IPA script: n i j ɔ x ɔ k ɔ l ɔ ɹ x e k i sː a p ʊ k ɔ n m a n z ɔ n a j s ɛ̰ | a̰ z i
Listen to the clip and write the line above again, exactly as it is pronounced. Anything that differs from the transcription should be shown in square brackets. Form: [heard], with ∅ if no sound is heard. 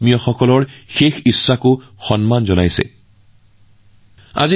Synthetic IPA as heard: [m] i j ɔ x ɔ k ɔ l ɔ ɹ x e [x] i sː a [k] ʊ [x] ɔ n m a n z ɔ n a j s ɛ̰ | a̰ z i